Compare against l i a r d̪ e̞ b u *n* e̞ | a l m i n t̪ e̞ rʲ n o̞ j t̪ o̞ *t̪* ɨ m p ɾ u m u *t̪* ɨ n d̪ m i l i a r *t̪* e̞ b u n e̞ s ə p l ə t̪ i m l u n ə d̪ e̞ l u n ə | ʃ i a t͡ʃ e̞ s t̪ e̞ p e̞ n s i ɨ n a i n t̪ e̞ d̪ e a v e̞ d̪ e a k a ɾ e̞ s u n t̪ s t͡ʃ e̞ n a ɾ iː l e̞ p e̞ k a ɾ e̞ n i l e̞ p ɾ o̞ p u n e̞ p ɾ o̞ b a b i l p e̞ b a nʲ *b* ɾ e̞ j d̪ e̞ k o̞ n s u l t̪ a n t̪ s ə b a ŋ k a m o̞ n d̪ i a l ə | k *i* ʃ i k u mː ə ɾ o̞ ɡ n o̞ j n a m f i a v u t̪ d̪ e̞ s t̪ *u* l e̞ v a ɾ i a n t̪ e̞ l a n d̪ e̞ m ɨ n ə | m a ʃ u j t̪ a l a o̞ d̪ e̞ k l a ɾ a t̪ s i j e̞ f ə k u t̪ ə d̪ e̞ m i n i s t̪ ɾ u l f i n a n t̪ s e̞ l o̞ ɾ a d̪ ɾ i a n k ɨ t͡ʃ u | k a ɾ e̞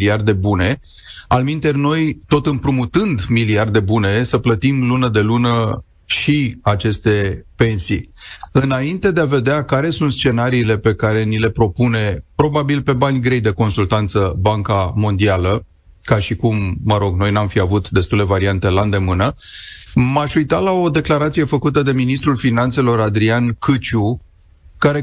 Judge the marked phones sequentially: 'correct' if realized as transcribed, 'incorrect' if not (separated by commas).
correct, correct, correct, incorrect, incorrect, incorrect, correct